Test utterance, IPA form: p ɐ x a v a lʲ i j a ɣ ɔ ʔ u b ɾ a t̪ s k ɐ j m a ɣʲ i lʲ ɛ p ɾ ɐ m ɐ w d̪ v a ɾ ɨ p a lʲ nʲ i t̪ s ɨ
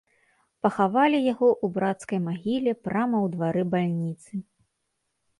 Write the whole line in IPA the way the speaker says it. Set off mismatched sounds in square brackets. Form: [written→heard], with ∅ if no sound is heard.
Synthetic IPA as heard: p ɐ x a v a lʲ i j a ɣ ɔ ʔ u b ɾ a t̪ s k ɐ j m a ɣʲ i lʲ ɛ p ɾ [ɐ→a] m ɐ w d̪ v a ɾ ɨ [p→b] a lʲ nʲ i t̪ s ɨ